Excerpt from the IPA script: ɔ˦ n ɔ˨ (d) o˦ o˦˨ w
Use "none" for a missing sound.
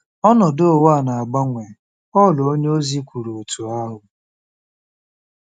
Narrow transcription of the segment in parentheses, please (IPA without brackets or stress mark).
d